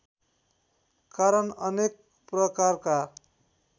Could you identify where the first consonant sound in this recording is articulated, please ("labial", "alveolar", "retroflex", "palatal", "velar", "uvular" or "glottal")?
velar